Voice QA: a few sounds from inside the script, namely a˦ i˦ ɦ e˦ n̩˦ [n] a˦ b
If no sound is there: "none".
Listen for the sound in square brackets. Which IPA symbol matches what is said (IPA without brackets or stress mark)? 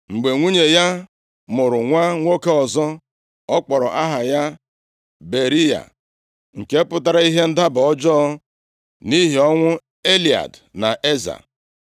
d